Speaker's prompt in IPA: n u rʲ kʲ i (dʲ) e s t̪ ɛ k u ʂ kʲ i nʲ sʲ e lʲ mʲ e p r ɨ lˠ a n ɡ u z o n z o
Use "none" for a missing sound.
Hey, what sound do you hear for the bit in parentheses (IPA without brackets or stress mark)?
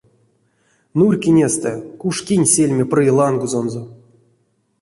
nʲ